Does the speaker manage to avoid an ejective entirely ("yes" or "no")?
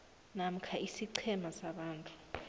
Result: no